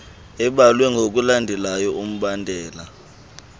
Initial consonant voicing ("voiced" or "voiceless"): voiced